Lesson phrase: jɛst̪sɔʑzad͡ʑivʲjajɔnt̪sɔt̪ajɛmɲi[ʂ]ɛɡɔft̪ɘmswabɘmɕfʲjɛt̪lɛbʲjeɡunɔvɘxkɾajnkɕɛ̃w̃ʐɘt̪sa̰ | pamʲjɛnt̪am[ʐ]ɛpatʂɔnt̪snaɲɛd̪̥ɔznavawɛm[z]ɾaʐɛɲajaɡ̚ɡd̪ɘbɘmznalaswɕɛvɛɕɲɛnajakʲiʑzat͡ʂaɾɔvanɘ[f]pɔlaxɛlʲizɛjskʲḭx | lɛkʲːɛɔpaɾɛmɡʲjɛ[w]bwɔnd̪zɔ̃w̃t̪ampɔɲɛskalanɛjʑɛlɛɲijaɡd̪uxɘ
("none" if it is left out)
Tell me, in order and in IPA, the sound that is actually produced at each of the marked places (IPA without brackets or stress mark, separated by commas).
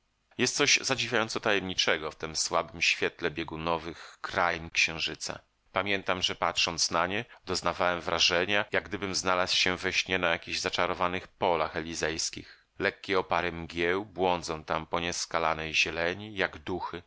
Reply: t͡ʂ, ʐ, v, x, w